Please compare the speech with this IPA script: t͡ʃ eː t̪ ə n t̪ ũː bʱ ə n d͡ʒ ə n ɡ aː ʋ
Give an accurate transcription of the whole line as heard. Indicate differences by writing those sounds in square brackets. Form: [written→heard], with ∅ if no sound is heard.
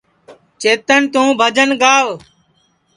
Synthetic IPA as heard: t͡ʃ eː t̪ ə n t̪ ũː bʱ ə [n→∅] d͡ʒ ə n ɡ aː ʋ